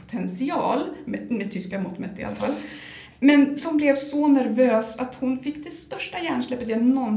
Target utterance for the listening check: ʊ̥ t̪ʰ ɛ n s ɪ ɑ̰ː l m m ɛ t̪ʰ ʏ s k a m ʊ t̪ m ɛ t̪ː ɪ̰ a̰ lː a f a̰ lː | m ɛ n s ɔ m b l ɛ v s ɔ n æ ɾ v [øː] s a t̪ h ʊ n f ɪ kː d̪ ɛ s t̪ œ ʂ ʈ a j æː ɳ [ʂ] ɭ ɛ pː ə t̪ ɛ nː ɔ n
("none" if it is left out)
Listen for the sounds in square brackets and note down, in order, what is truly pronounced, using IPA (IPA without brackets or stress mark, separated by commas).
øː, ʂ